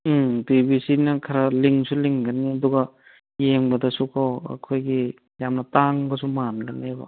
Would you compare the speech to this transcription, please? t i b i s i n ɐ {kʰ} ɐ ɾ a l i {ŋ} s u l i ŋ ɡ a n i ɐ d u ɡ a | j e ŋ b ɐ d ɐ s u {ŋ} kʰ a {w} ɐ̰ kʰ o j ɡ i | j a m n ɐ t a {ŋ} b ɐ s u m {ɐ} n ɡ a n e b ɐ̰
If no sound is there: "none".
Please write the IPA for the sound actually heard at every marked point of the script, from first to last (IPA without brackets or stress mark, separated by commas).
kʰ, ŋ, none, w, ŋ, a